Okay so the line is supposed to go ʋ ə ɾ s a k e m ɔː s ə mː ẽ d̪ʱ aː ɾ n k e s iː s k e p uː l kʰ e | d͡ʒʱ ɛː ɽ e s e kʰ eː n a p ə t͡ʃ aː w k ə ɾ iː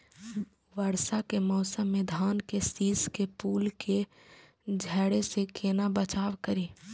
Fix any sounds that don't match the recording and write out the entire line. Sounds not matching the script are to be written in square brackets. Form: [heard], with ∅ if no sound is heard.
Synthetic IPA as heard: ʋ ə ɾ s a k e m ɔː s ə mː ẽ d̪ʱ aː [∅] n k e s iː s k e p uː l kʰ e | d͡ʒʱ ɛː ɽ e s e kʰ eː n a [b] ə t͡ʃ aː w k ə ɾ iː